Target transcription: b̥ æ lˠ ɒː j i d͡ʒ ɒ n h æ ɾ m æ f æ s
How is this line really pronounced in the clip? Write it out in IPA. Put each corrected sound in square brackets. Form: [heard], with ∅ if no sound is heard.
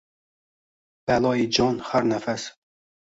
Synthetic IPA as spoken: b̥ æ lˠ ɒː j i d͡ʒ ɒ n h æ ɾ [n] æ f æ s